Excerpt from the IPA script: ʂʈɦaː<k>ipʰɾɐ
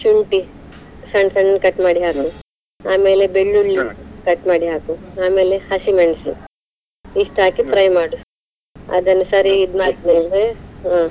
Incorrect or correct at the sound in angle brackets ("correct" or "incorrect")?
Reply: correct